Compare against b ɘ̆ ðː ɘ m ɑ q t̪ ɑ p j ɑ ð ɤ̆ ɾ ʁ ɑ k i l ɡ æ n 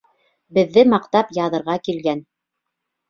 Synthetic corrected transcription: b ɘ̆ ðː ɘ m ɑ q t̪ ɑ p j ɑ ð ɤ̆ ɾ ʁ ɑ k i l ɡ æ n